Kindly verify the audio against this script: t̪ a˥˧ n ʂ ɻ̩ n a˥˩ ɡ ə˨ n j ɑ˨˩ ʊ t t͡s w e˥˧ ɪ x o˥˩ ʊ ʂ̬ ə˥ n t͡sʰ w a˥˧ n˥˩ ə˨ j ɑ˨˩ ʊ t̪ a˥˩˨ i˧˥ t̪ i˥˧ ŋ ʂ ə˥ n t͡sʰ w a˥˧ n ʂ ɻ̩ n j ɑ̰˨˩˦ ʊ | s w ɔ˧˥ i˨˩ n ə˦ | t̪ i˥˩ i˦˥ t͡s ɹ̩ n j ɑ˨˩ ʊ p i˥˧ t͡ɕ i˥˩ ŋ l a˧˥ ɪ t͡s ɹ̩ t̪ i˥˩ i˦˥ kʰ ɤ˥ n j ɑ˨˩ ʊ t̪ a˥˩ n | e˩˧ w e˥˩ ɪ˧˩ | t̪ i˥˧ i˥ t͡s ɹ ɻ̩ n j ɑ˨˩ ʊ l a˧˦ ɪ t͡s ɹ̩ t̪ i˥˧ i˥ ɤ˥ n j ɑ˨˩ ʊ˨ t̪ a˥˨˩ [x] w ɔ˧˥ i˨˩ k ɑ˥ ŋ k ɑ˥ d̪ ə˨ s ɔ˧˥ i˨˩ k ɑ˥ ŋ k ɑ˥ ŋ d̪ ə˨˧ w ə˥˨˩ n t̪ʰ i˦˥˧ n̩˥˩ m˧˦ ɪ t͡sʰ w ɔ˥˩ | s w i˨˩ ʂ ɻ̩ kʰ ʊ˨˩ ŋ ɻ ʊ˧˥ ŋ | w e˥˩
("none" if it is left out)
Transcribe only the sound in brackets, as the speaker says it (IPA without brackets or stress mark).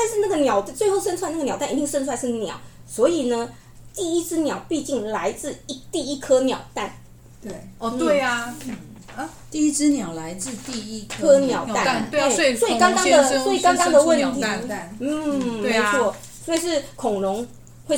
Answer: s